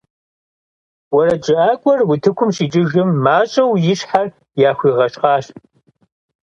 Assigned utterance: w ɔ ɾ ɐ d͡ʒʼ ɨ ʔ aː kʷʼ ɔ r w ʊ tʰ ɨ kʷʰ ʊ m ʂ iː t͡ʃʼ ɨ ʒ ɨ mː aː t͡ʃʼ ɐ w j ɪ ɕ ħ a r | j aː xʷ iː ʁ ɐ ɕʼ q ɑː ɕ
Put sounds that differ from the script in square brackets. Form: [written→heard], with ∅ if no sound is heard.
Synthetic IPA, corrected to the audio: w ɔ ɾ ɐ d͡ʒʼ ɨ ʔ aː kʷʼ ɔ r w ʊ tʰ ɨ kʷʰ ʊ m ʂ iː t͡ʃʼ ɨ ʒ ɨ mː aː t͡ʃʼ ɐ w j ɪ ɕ ħ a r | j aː xʷ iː ʁ ɐ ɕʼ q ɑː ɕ